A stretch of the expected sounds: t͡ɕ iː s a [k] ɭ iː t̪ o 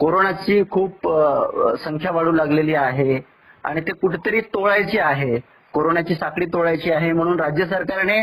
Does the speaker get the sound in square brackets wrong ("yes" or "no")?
no